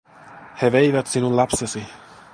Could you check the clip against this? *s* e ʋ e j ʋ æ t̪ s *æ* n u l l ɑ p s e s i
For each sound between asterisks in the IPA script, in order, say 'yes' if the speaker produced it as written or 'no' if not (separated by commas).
no, no